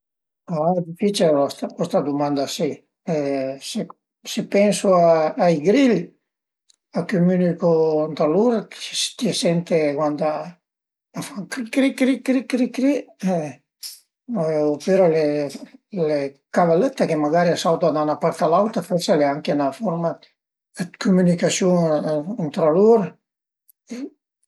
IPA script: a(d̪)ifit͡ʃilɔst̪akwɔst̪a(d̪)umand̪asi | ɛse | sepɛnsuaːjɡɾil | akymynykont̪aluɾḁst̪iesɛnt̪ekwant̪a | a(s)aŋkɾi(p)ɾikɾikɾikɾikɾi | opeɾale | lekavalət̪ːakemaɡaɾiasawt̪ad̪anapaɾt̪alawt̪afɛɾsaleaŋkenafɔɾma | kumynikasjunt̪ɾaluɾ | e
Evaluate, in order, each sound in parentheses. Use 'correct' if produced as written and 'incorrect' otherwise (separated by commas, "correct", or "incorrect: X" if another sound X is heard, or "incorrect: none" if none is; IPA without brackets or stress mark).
correct, correct, incorrect: f, incorrect: k